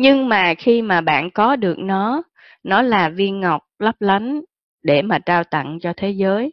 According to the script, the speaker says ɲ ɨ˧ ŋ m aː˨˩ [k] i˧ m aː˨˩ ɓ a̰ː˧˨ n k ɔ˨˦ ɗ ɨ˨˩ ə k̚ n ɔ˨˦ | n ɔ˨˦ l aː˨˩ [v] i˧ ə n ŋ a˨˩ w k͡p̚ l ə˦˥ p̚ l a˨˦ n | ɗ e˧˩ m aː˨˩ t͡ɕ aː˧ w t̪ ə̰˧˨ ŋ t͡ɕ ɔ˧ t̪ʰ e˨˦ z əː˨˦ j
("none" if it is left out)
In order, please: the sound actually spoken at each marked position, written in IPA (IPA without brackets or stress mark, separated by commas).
x, v